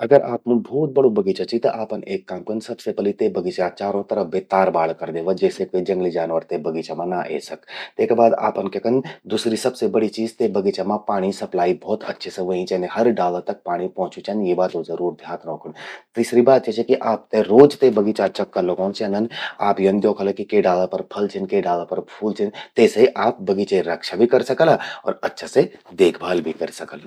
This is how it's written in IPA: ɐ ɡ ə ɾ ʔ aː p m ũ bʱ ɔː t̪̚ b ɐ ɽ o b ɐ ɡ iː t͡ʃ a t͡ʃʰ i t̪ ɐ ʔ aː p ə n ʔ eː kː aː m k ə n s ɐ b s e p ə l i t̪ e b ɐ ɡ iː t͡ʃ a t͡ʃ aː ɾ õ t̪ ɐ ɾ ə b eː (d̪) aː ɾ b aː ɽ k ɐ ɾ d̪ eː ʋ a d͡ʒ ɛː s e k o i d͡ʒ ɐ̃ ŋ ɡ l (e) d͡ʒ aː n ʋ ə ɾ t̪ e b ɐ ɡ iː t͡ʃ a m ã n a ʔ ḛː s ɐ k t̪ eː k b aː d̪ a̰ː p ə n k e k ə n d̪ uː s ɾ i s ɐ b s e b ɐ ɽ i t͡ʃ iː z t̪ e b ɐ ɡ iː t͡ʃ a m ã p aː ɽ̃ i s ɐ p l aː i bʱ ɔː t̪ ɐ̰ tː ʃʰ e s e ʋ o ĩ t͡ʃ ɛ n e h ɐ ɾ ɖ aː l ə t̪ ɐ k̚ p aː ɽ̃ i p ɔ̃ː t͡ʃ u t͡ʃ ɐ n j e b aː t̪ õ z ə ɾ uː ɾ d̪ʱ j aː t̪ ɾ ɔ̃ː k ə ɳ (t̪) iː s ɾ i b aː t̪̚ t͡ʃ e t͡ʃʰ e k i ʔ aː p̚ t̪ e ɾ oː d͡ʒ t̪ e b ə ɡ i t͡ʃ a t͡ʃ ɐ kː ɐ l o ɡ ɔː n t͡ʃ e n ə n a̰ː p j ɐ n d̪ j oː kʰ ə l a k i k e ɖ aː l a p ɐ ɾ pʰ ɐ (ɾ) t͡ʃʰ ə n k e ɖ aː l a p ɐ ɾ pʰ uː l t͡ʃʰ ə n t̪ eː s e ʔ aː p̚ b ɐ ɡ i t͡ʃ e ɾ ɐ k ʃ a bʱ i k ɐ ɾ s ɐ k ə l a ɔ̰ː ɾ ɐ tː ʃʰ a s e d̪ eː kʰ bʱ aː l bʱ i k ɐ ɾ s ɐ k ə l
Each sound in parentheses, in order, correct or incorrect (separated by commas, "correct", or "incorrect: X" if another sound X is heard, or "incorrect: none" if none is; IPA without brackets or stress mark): incorrect: t̪, incorrect: i, correct, incorrect: l